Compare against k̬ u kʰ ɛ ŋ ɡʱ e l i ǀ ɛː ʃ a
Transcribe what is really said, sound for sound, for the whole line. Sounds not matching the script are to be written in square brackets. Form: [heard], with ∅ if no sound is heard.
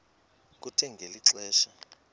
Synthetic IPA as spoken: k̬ u [tʰ] ɛ ŋ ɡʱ e l i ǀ ɛː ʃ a